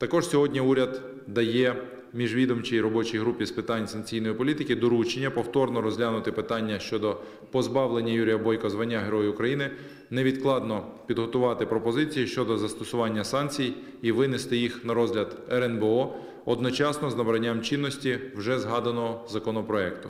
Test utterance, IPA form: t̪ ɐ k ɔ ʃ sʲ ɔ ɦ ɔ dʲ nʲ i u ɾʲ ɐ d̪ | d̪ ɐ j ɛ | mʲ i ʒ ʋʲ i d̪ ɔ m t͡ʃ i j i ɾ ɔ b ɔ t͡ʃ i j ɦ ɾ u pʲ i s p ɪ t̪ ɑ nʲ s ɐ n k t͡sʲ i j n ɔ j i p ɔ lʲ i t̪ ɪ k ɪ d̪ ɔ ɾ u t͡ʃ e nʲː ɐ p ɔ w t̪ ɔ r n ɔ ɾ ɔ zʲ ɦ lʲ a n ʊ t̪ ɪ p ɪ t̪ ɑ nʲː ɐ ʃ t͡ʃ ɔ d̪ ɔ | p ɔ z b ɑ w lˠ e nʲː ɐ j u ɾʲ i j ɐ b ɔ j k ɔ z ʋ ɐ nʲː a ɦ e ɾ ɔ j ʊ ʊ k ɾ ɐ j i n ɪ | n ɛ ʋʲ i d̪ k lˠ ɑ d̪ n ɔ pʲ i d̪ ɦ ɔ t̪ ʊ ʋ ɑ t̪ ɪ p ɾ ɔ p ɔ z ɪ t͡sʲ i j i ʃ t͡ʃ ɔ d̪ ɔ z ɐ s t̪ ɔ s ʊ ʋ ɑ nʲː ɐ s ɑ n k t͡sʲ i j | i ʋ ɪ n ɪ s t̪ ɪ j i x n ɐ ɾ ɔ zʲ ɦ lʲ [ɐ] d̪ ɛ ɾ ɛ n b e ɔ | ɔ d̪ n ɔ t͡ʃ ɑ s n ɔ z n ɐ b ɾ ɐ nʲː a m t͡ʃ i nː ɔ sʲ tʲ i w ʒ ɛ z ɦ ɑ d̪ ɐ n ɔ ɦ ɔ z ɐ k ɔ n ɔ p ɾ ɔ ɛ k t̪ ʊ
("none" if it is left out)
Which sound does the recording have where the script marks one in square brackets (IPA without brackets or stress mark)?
ɐ